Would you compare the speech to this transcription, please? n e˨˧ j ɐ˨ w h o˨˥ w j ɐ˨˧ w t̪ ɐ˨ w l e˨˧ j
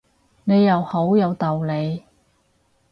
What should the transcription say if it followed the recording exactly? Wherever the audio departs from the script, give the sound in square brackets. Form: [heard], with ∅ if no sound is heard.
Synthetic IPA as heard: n e˨˧ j ɐ˨ w h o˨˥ w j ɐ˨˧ w t̪ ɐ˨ w l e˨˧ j